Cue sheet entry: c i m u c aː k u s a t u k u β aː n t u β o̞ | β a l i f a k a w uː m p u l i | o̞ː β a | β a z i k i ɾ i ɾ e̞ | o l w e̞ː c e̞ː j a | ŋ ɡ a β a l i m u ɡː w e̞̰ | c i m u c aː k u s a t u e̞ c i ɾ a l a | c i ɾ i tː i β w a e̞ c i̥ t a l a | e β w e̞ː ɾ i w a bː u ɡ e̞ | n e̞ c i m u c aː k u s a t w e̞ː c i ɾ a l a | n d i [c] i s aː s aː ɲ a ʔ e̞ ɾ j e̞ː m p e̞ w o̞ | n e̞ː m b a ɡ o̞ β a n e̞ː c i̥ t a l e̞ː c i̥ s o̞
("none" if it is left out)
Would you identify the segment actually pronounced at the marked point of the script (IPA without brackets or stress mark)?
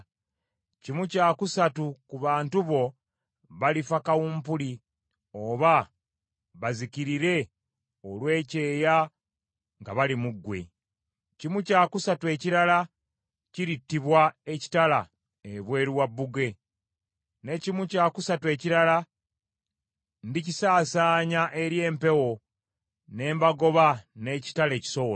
c